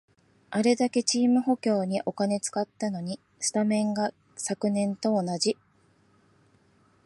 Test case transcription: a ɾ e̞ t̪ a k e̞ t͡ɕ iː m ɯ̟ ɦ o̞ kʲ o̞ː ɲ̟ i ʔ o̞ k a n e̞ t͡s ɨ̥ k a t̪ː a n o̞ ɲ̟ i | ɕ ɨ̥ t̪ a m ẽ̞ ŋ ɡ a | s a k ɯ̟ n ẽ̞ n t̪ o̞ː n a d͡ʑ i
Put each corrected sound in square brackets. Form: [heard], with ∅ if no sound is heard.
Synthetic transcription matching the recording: a ɾ e̞ [d̪] a k e̞ t͡ɕ iː m ɯ̟ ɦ o̞ kʲ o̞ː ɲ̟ i ʔ o̞ k a n e̞ t͡s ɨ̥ k a t̪ː a n o̞ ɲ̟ i | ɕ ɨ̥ t̪ a m ẽ̞ ŋ ɡ a | s a k ɯ̟ n ẽ̞ n t̪ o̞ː n a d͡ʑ i